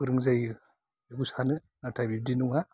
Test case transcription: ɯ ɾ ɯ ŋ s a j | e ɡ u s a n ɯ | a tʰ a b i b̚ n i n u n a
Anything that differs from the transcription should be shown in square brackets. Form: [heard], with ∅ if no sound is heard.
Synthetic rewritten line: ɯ ɾ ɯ ŋ [z] a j | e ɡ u s a n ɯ | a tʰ a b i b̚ [d] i n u [ŋ] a